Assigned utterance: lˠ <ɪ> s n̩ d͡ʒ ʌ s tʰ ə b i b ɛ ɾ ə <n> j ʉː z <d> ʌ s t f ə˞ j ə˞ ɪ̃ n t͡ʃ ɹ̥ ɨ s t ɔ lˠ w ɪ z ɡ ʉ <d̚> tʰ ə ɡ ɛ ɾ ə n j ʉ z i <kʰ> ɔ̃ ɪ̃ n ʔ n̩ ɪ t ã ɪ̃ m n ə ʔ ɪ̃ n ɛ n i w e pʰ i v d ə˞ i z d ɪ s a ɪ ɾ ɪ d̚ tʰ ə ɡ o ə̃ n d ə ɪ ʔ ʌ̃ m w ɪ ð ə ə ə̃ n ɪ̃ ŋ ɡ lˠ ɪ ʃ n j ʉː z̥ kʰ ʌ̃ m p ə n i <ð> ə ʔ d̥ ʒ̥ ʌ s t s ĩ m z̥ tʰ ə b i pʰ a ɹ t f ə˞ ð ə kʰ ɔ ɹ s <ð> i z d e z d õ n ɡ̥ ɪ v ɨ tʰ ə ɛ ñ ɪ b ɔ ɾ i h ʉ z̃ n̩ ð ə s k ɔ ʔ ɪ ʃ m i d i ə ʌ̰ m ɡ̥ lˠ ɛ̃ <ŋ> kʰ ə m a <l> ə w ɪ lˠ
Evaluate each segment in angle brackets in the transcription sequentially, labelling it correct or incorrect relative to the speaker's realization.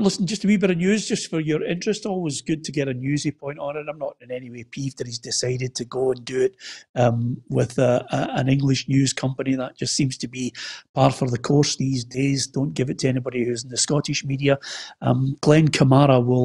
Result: correct, correct, incorrect: d͡ʒ, correct, incorrect: pʰ, correct, correct, incorrect: n, incorrect: ɹ

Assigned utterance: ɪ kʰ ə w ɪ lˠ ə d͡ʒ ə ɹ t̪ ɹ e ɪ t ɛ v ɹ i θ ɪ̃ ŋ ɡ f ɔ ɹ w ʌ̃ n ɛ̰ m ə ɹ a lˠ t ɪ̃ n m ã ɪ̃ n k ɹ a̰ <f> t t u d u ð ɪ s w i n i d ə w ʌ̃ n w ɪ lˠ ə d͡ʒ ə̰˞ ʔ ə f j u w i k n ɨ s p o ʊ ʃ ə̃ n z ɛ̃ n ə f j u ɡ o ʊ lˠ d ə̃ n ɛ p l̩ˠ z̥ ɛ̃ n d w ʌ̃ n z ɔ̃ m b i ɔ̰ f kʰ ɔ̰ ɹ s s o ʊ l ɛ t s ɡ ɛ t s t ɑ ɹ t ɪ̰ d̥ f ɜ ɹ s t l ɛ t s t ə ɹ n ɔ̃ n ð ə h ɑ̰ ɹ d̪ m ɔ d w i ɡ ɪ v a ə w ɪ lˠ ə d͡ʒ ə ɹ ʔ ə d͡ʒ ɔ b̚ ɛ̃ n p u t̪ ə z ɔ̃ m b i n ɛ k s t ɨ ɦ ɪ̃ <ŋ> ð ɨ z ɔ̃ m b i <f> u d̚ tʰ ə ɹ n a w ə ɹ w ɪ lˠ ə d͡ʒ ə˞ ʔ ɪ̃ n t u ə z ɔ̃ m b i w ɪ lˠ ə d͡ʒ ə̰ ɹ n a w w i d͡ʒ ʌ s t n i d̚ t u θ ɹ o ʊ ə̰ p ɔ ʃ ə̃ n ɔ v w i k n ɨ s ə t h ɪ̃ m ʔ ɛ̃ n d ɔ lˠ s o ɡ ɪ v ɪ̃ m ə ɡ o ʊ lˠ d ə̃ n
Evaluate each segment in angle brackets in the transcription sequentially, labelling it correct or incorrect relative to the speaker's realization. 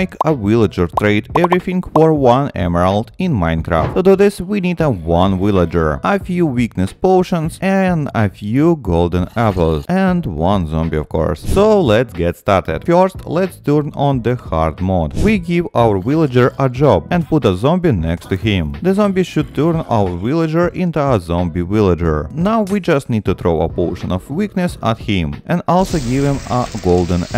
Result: correct, incorrect: m, incorrect: ʃ

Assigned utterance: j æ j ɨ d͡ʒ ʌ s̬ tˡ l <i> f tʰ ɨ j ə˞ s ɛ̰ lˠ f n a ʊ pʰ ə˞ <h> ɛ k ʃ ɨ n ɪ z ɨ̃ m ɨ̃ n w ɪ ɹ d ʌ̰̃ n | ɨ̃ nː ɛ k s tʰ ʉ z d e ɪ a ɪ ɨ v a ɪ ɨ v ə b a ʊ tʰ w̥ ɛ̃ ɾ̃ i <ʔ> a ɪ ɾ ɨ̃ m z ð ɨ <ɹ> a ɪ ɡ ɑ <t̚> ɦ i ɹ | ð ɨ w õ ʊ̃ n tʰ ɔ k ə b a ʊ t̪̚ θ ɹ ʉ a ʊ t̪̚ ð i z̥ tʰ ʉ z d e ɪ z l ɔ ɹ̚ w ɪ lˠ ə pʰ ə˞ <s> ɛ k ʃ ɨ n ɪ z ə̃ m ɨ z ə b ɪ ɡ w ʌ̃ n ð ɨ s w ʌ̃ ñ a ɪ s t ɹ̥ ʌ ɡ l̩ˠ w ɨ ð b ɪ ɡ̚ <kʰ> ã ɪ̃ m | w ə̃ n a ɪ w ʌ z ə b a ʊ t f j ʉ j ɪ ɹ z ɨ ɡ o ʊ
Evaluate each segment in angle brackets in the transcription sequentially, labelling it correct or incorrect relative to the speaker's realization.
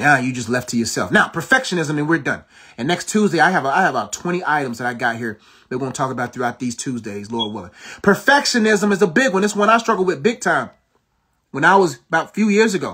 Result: incorrect: ɛ, incorrect: f, correct, incorrect: ɾ, correct, incorrect: f, incorrect: tʰ

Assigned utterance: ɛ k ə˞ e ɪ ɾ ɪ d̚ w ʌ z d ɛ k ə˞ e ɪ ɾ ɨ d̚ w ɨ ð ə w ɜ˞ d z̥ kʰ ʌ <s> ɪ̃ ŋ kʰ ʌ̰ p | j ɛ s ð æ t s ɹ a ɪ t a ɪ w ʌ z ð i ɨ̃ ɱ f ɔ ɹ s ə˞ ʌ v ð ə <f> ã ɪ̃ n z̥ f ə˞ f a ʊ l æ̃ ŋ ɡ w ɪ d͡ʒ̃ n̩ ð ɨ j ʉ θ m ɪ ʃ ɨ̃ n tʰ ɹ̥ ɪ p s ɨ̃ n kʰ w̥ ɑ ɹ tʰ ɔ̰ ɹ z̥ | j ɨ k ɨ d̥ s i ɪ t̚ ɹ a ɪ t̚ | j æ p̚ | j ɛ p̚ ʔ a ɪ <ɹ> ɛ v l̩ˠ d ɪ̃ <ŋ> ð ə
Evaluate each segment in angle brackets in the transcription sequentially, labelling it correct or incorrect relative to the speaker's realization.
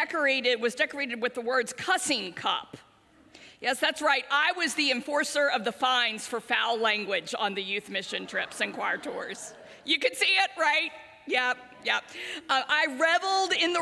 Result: correct, correct, correct, incorrect: n

